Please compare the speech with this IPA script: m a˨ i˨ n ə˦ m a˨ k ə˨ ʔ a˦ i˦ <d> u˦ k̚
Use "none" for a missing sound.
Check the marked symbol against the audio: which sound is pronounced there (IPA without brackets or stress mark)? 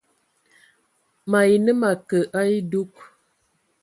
d